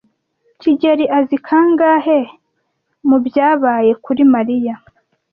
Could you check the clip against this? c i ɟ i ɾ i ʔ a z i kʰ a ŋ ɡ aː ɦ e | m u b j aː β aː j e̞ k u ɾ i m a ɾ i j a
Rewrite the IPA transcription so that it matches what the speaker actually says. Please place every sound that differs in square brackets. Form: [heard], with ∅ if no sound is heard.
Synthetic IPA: c i ɟ [e] ɾ i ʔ a z i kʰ a ŋ ɡ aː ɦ e | m u b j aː β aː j e̞ k u ɾ i m a ɾ i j a